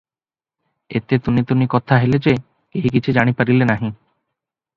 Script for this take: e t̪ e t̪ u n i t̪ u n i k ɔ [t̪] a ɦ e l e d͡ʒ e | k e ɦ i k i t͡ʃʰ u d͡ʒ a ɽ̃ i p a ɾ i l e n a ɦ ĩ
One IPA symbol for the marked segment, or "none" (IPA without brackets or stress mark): t̪ʰ